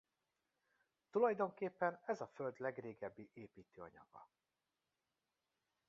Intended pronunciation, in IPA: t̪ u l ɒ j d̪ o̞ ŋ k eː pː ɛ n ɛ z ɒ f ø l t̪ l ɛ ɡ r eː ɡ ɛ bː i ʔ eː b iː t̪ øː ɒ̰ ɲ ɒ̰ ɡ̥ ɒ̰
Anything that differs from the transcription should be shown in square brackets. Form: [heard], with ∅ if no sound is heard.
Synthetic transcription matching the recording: t̪ u l ɒ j d̪ o̞ ŋ k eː pː ɛ n ɛ z ɒ f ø l [d̪] l ɛ ɡ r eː ɡ ɛ bː i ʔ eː [p] iː t̪ øː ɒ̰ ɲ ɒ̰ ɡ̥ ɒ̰